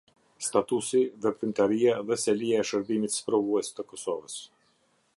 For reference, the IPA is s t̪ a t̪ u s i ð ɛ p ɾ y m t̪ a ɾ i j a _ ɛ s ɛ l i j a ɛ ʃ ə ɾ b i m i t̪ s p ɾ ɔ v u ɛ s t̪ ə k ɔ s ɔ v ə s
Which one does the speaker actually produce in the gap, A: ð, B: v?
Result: A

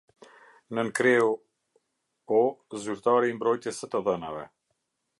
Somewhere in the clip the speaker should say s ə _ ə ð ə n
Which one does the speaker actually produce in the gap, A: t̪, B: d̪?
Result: A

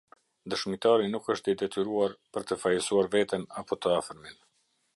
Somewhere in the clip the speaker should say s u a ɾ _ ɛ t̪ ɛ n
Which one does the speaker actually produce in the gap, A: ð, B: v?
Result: B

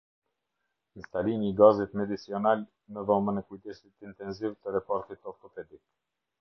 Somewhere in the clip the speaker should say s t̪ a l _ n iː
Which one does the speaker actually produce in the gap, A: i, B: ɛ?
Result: A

